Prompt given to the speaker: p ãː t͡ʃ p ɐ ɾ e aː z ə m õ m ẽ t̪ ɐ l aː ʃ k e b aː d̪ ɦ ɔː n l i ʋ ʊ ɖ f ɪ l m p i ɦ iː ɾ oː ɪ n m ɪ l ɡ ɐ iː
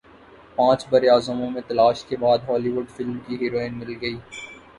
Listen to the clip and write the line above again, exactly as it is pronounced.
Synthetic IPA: p ãː t͡ʃ b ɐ ɾ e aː z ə m õ m ẽ t̪ ɐ l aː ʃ k e b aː d̪ ɦ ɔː l i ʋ ʊ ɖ f ɪ l m k i ɦ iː ɾ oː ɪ n m ɪ l ɡ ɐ iː